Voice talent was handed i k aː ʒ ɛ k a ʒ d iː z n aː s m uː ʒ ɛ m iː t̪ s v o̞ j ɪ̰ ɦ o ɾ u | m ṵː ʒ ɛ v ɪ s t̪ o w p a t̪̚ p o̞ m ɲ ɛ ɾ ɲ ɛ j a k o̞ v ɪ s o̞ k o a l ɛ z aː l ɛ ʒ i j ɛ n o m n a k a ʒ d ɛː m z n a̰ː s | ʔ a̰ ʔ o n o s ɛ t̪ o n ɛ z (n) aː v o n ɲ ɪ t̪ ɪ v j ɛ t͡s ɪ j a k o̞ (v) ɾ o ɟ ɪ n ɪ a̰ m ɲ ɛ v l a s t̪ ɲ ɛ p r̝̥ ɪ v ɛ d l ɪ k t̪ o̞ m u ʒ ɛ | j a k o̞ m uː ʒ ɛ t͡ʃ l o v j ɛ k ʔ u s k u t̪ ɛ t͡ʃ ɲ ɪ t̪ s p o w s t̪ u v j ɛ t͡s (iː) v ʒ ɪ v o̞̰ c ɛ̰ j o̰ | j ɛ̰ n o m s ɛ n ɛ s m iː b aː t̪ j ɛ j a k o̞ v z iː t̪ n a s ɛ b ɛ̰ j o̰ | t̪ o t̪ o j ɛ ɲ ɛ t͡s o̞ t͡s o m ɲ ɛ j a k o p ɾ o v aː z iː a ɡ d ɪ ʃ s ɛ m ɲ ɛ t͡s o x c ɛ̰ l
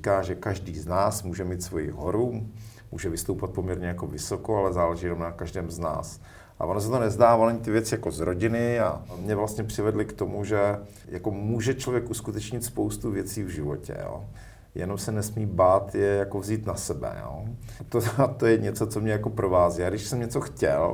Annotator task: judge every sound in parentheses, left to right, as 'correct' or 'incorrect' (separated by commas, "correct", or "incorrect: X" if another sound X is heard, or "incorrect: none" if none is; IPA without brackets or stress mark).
incorrect: d, incorrect: z, correct